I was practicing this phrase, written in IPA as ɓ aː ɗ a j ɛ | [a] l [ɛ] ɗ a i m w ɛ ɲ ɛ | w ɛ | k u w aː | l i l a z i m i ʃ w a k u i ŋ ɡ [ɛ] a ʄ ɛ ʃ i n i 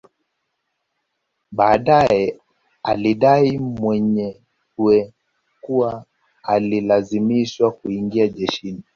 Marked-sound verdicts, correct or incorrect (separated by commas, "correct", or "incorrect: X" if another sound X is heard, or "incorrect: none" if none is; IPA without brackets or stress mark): correct, incorrect: i, incorrect: i